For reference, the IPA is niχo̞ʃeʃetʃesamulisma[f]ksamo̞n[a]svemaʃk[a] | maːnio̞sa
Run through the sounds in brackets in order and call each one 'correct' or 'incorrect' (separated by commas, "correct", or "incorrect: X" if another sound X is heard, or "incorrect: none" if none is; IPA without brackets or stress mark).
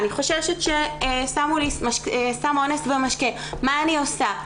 incorrect: ʃ, incorrect: e, incorrect: e